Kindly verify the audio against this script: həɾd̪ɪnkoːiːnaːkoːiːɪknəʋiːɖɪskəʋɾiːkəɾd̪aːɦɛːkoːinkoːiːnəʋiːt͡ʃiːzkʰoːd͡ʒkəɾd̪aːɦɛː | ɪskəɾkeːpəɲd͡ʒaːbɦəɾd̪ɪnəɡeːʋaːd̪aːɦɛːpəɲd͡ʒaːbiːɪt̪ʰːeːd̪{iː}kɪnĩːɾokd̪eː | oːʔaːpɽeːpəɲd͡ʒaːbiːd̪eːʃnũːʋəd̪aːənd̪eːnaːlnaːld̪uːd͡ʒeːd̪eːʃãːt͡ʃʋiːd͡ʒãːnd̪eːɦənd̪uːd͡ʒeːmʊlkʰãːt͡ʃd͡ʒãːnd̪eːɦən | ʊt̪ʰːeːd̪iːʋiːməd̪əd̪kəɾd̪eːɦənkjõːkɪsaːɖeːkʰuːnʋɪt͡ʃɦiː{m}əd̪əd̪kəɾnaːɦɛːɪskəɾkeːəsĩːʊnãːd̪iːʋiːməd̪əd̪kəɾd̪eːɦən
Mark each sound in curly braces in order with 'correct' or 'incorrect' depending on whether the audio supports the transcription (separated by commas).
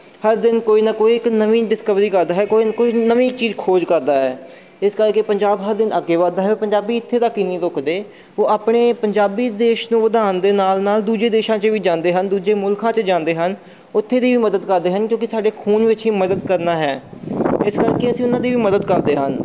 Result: incorrect, correct